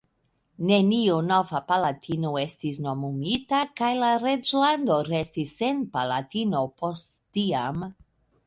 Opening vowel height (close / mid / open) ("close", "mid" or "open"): mid